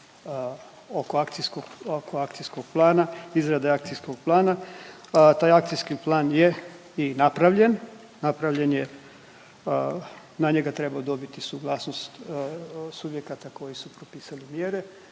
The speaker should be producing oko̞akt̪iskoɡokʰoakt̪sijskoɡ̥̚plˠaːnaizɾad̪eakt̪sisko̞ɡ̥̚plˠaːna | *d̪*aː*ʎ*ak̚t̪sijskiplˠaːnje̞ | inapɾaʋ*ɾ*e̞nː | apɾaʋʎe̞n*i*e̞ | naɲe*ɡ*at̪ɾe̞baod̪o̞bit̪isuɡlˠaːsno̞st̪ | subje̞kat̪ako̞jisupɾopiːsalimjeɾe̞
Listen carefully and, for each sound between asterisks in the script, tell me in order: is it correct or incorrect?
incorrect: t̪, incorrect: j, incorrect: ʎ, incorrect: j, correct

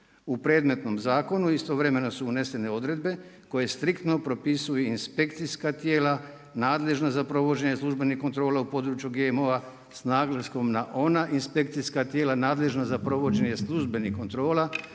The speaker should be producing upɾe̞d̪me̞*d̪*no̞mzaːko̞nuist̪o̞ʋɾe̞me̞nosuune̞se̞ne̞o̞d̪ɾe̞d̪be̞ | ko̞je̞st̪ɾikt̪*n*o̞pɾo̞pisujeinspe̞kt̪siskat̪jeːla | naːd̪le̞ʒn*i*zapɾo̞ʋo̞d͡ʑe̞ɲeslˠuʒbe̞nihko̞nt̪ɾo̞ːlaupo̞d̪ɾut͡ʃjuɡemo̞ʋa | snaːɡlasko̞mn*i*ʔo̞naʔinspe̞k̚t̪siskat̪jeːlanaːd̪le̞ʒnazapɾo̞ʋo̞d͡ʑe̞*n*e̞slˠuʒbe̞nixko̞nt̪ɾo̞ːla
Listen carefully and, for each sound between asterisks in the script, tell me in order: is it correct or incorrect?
incorrect: t̪, correct, incorrect: a, incorrect: a, incorrect: ɲ

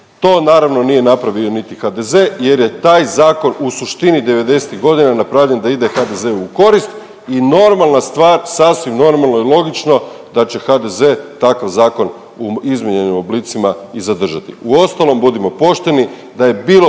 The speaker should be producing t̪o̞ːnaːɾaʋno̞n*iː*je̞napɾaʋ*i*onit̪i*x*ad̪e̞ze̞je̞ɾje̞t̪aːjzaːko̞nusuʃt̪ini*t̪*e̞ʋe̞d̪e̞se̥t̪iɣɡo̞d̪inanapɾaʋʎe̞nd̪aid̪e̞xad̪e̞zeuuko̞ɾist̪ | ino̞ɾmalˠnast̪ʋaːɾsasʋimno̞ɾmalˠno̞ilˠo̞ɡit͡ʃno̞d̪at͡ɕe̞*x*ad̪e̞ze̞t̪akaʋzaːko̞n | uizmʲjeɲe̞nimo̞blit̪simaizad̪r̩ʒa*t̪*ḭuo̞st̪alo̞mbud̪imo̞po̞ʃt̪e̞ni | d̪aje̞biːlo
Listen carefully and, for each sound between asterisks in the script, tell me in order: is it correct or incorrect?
incorrect: i, correct, correct, incorrect: d̪, correct, correct

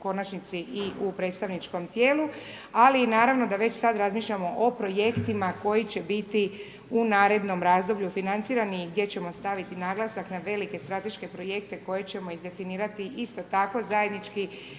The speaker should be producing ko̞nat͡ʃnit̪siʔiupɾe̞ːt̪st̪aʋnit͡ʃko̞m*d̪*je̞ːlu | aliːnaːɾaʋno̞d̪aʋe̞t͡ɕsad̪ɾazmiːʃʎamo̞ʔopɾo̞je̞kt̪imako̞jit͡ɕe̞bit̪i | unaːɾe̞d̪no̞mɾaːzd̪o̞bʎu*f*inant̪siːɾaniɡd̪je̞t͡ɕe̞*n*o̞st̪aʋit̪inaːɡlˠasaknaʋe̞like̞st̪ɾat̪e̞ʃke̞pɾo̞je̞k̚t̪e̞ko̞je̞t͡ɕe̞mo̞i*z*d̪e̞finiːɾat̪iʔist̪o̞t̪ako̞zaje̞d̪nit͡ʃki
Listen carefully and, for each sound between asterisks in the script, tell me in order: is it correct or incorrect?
incorrect: t̪, correct, incorrect: m, correct

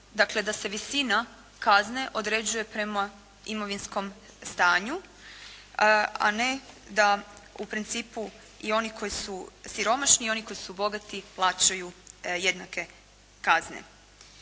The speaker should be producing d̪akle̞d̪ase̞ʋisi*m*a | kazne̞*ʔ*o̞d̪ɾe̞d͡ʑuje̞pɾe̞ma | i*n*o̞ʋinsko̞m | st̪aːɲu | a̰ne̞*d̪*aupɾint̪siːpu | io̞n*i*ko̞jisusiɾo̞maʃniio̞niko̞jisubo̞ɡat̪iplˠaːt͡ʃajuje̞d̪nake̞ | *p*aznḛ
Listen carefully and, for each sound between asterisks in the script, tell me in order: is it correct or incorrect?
incorrect: n, correct, incorrect: m, correct, correct, incorrect: k

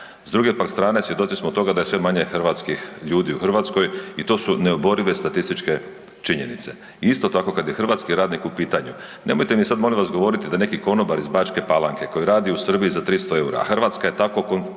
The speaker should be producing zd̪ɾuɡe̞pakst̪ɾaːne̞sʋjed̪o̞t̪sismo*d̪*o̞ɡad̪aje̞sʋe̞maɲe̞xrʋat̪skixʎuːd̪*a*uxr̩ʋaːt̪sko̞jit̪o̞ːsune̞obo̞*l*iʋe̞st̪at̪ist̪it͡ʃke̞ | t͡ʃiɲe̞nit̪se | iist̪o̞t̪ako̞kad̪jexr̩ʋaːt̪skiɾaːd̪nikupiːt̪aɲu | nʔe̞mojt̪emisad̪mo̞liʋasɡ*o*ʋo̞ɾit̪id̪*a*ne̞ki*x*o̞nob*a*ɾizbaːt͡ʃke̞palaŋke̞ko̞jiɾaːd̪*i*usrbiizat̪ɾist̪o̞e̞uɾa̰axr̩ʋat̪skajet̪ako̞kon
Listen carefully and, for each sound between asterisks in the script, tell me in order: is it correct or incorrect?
incorrect: t̪, incorrect: i, incorrect: ɾ, correct, correct, incorrect: k, correct, correct

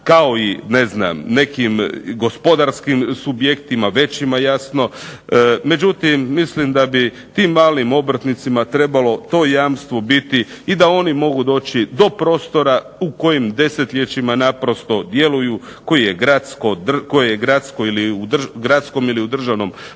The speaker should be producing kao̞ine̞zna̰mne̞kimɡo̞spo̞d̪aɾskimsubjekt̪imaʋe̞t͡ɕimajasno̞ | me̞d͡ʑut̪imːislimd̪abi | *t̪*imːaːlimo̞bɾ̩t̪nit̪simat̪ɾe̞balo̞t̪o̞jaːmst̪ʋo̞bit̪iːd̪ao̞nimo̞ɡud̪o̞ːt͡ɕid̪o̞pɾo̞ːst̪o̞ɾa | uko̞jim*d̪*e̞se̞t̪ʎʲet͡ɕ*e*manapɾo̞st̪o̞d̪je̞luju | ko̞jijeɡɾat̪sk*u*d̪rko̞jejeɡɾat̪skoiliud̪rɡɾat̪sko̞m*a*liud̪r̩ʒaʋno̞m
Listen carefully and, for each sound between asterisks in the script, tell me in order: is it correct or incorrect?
correct, correct, incorrect: i, incorrect: o, incorrect: i

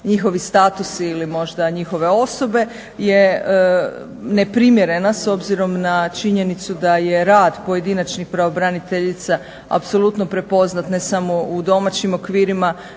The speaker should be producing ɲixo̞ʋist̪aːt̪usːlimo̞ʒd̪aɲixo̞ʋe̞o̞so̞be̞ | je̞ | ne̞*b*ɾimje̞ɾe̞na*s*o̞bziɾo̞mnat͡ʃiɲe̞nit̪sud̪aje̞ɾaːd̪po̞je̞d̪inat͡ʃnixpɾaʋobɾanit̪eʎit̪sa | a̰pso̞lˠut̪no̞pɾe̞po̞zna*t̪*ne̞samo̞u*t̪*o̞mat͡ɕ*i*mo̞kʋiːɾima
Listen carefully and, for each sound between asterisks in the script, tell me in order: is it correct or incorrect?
incorrect: p, correct, correct, incorrect: d̪, correct

